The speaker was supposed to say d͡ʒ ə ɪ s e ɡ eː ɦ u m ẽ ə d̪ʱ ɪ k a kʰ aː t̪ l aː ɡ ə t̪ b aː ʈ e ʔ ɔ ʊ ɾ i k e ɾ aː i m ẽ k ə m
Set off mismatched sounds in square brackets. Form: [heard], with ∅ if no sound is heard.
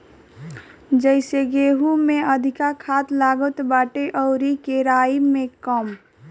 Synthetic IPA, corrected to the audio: d͡ʒ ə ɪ s e ɡ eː ɦ u m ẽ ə d̪ʱ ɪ k a kʰ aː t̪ l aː ɡ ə t̪ b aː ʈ e ʔ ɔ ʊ ɾ i k e ɾ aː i m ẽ k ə m

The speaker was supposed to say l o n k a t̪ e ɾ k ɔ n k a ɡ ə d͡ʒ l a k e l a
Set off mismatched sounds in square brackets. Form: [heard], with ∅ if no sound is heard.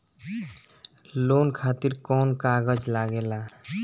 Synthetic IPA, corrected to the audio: l o n [kʰ] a t̪ [i] ɾ k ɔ n k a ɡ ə d͡ʒ l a [ɡ] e l a

